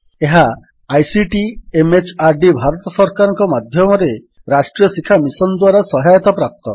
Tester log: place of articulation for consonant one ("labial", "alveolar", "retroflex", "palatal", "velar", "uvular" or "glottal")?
glottal